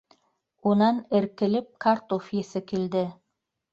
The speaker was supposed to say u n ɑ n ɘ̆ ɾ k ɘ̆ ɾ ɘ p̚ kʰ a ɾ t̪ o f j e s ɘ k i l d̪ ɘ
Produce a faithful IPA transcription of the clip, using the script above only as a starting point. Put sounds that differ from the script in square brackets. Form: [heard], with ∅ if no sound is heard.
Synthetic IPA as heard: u n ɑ n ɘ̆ ɾ k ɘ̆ [l] ɘ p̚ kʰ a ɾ t̪ o f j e s ɘ k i l d̪ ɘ